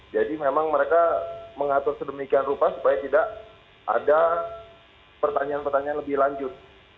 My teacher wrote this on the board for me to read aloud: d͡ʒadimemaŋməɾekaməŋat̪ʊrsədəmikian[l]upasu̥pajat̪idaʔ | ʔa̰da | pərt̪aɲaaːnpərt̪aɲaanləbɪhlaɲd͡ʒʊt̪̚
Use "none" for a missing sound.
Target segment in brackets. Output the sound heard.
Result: r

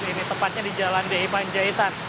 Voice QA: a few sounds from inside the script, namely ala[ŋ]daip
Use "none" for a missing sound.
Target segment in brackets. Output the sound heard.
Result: n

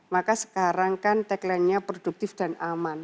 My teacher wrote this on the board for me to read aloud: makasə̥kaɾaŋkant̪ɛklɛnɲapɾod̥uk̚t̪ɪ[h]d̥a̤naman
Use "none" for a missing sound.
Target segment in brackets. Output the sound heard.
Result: f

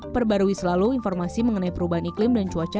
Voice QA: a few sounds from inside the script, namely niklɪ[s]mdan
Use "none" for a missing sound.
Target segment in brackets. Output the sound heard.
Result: none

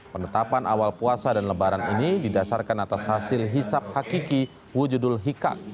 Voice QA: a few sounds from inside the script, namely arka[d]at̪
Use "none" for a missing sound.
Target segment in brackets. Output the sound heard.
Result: n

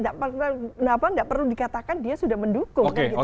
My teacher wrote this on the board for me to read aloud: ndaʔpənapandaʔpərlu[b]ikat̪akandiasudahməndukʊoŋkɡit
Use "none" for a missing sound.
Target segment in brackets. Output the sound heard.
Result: d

